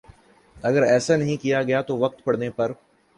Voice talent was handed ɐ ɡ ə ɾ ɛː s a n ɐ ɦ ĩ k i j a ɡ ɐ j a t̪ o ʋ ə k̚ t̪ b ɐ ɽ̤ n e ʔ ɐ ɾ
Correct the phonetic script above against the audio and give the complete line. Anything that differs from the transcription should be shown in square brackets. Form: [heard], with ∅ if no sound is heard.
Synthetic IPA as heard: ɐ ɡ ə ɾ ɛː s a n ɐ ɦ ĩ k i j a ɡ ɐ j a t̪ o ʋ [ɐ] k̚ t̪ [p] ɐ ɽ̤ n e [p] ɐ ɾ